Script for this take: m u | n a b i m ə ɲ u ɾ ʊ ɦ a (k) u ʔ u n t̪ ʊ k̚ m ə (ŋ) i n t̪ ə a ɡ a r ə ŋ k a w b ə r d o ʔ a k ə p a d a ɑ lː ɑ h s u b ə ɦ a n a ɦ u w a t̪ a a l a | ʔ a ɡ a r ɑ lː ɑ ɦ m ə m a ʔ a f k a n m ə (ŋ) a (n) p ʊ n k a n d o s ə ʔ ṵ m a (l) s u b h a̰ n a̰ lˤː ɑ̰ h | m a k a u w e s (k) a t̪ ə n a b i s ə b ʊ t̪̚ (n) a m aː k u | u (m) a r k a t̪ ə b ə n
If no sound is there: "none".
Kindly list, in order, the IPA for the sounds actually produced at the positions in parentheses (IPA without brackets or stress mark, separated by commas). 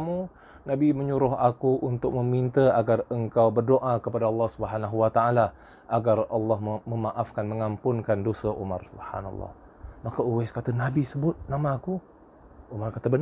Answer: k, m, ŋ, m, r, k, n, m